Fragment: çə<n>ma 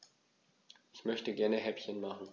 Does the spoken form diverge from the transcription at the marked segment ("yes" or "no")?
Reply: no